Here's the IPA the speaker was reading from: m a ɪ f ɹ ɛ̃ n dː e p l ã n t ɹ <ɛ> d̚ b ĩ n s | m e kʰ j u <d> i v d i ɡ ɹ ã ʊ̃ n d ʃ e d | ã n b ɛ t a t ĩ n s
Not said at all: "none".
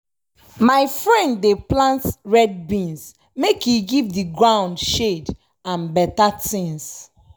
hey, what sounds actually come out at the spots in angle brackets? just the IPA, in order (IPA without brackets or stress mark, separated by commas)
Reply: ɛ, ɡ